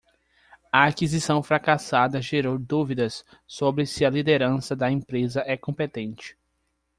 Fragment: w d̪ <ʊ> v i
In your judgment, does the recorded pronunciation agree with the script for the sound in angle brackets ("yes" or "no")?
no